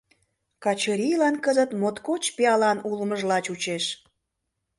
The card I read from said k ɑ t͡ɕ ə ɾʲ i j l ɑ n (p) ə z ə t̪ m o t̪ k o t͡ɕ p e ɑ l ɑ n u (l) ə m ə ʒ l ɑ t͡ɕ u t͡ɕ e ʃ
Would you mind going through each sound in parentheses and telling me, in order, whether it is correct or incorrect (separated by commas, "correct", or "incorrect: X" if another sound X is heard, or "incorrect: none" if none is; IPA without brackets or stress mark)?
incorrect: k, correct